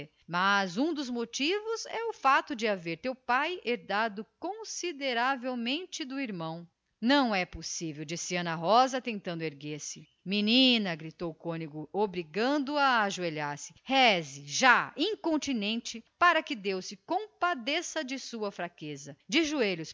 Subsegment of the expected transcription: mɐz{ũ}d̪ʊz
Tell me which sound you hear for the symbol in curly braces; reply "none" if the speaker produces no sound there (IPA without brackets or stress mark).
ũ